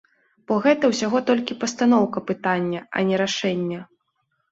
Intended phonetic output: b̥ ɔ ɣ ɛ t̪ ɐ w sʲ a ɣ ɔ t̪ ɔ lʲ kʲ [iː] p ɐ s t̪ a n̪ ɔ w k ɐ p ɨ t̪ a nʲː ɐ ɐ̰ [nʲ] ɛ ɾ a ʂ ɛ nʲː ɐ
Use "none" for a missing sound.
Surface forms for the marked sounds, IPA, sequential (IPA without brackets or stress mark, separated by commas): i, nʲ